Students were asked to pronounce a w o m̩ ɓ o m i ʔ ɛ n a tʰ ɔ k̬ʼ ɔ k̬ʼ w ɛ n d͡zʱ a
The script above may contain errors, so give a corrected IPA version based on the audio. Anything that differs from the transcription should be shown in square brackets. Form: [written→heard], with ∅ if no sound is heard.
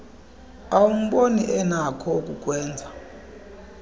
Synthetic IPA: a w [o→u] m̩ ɓ o [m→n] i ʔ ɛ n a [tʰ→kʰ] ɔ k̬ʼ [ɔ→u] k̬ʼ w [ɛ→ɛː] n d͡zʱ a